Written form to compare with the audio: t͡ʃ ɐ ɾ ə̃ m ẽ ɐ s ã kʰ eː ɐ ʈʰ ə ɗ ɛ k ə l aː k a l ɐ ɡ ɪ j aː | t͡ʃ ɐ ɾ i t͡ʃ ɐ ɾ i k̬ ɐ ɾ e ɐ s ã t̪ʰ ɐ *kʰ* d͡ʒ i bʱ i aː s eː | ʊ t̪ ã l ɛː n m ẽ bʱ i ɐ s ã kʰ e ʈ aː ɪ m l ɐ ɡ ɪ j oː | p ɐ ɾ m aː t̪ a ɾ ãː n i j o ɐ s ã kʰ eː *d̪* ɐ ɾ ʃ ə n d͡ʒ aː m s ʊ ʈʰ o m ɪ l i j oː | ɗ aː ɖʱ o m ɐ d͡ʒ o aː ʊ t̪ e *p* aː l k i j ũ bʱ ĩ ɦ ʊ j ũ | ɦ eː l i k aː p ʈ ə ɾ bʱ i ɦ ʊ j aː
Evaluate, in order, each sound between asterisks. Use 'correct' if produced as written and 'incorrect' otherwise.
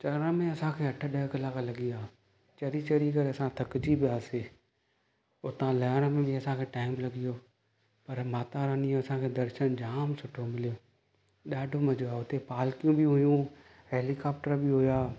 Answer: incorrect, correct, correct

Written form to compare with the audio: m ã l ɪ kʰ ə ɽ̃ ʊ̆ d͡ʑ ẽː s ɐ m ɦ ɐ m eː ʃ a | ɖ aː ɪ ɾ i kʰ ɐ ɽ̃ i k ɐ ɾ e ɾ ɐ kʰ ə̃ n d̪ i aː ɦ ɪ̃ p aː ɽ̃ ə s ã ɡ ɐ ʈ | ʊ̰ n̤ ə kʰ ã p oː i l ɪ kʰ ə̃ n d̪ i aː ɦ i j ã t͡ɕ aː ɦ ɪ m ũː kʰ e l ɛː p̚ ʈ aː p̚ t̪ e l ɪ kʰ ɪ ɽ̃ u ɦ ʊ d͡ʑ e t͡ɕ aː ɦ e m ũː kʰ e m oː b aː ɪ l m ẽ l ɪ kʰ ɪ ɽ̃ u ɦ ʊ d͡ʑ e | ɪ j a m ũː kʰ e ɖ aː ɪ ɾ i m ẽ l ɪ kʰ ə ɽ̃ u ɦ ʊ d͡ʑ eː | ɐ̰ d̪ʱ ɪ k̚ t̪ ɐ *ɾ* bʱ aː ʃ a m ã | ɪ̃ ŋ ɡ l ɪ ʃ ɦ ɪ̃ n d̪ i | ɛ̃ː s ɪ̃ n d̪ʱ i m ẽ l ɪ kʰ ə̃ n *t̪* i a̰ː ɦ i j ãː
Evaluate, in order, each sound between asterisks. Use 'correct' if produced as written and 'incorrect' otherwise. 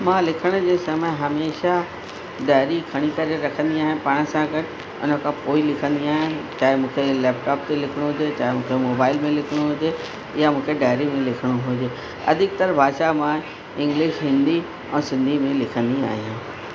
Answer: correct, incorrect

